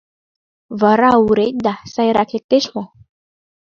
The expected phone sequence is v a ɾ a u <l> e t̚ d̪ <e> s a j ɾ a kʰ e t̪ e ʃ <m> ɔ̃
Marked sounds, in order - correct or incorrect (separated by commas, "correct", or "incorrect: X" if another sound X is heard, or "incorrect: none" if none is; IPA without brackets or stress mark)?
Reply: incorrect: ɾ, incorrect: a, correct